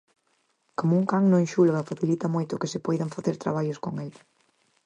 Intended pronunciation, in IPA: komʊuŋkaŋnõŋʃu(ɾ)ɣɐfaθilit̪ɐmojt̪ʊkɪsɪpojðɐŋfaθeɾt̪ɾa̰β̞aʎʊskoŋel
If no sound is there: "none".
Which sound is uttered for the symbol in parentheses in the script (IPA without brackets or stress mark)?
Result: l